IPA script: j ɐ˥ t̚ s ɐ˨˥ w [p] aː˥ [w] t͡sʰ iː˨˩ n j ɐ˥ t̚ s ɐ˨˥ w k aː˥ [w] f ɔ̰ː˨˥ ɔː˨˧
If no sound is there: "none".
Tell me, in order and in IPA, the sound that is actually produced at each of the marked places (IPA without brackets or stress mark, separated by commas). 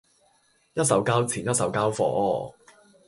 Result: k, w, w